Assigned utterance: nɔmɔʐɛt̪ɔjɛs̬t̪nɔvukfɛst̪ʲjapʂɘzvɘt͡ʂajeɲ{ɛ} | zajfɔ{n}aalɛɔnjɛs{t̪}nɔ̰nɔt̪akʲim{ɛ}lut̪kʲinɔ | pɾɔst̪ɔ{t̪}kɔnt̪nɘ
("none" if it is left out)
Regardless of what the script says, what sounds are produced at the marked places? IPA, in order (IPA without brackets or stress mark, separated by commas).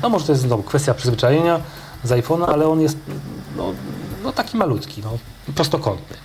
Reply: a, n, t̪, a, none